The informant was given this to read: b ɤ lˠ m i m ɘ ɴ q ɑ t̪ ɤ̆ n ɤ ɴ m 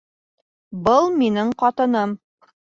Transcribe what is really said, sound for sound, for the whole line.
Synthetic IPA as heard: b ɤ lˠ m i n ɘ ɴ q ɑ t̪ ɤ̆ n ɤ m

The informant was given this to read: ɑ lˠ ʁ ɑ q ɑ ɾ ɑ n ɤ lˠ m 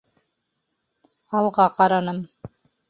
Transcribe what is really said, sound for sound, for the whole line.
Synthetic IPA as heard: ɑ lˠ ʁ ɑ q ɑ ɾ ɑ n ɤ m

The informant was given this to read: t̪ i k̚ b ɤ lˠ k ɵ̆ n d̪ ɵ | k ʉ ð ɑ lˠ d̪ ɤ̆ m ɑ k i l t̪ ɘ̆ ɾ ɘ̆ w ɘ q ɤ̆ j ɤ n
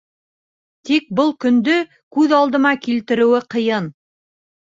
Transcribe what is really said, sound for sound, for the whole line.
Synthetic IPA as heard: t̪ i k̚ b ɤ lˠ k ɵ̆ n d̪ ɵ | k ʉ ð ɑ lˠ d̪ ɤ̆ m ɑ k i l t̪ ɘ̆ ɾ ɘ̆ w ɘ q ɤ̆ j ɤ n

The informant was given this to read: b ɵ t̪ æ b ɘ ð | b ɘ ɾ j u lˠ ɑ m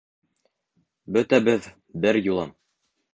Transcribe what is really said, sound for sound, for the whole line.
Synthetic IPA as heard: b ɵ t̪ æ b ɘ ð | b ɘ ɾ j u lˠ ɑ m

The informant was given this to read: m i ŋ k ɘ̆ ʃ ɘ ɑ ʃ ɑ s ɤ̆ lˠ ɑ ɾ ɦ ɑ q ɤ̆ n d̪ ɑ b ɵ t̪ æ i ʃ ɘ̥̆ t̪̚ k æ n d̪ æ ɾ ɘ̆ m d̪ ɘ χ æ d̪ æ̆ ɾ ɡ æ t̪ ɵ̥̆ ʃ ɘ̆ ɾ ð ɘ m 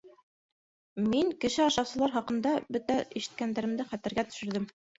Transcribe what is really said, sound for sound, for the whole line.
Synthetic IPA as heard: m i ŋ k ɘ̆ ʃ ɘ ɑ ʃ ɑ s ɤ̆ lˠ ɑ ɾ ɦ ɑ q ɤ̆ n d̪ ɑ b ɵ t̪ æ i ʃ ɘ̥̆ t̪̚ k æ n d̪ æ ɾ ɘ̆ m d̪ ɘ χ æ t̪ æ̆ ɾ ɡ æ t̪ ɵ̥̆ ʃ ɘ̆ ɾ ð ɘ m

